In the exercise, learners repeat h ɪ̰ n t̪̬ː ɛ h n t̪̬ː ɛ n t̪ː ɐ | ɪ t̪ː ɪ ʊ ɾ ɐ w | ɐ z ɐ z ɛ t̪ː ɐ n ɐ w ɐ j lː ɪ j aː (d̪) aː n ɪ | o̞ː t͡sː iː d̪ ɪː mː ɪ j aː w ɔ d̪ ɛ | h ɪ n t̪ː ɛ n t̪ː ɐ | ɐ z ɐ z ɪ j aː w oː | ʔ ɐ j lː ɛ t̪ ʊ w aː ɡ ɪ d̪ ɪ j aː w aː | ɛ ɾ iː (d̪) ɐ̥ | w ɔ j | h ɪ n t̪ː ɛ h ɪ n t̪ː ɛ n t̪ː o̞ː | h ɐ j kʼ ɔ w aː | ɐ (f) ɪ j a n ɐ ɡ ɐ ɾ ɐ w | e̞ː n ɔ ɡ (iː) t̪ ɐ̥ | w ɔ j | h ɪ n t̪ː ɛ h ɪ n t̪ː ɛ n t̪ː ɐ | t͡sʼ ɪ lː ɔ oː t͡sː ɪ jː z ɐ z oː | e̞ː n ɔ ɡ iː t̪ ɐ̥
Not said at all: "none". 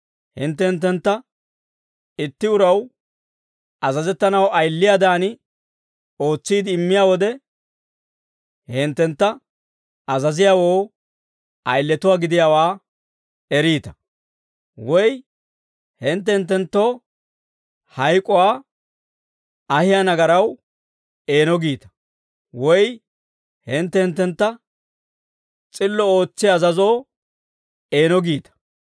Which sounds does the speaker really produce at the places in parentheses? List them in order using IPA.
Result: d̪, t̪, h, iː

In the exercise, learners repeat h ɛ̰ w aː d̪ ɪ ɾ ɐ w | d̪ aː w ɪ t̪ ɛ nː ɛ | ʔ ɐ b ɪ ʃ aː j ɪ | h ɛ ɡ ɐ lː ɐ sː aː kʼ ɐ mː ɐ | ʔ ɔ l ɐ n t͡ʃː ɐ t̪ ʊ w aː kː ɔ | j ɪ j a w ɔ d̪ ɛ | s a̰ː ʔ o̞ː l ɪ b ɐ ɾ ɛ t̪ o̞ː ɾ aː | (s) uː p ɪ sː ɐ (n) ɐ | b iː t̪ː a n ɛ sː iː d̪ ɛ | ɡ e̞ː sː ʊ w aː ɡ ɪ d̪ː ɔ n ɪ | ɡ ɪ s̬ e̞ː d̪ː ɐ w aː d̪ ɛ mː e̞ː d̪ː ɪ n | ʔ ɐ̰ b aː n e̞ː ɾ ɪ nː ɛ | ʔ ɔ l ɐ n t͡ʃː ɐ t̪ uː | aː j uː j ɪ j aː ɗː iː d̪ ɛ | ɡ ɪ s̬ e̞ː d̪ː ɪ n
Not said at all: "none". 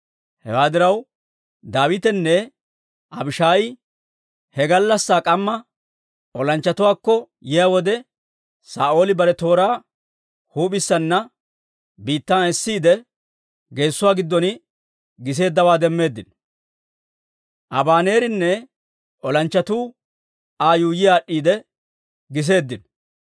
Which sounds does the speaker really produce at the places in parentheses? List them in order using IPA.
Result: h, nː

